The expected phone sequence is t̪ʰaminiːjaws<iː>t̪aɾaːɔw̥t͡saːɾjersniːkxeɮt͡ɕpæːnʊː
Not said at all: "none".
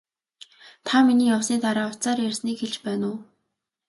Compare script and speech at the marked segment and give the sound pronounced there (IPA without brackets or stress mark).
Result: iː